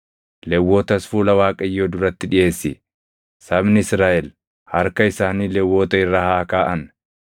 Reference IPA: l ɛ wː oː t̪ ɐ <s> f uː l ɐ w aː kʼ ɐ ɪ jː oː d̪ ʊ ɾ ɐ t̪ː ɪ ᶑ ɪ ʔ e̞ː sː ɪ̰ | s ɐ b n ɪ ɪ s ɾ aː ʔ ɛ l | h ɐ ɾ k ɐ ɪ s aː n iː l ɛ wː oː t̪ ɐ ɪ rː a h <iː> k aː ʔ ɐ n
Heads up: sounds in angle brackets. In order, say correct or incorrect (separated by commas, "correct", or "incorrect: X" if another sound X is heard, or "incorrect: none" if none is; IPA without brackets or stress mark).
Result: correct, incorrect: aː